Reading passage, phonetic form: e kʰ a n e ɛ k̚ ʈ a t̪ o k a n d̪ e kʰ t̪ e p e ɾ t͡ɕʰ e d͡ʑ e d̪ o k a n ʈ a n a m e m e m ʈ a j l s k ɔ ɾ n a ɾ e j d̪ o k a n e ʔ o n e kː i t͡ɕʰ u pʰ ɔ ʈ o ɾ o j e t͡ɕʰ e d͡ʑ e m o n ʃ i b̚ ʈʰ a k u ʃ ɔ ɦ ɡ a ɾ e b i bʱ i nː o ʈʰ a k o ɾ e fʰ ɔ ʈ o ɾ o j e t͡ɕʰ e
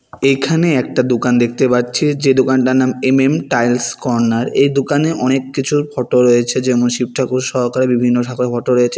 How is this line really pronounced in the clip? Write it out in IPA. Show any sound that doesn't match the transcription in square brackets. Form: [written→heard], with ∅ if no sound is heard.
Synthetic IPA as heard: e kʰ a n e ɛ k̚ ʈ a [t̪→d̪] o k a n d̪ e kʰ t̪ e p [e→a] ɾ t͡ɕʰ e d͡ʑ e d̪ o k a n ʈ a n a m e m e m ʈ a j l s k ɔ ɾ n a ɾ e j d̪ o k a n e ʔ [o→ɔ] n e kː i t͡ɕʰ u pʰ ɔ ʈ o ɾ o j e t͡ɕʰ e d͡ʑ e m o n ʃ i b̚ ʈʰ a k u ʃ ɔ ɦ [ɡ→k] a ɾ e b i bʱ i nː o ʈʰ a k o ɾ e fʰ ɔ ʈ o ɾ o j e t͡ɕʰ e